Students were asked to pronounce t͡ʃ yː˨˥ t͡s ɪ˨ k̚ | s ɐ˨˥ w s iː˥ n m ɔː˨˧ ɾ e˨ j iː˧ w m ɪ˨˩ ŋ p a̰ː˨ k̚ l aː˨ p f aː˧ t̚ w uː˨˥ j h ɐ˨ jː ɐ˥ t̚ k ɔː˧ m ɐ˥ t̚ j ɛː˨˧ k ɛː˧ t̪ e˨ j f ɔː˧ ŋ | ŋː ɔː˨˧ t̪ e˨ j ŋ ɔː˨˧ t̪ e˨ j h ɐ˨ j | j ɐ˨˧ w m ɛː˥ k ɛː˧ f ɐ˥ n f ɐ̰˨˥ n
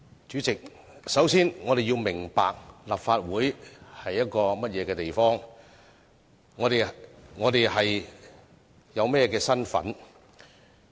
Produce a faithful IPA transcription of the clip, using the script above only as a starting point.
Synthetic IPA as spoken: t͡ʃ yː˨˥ t͡s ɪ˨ k̚ | s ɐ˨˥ w s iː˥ n ŋ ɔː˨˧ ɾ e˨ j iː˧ w m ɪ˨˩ ŋ p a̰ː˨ k̚ l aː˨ p f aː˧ t̚ w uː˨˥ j h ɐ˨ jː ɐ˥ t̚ k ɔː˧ m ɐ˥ t̚ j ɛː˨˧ k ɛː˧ t̪ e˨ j f ɔː˥ ŋ | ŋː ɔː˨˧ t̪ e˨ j ŋ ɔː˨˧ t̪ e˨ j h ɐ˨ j | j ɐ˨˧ w m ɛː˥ k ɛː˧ s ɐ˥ n f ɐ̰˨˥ n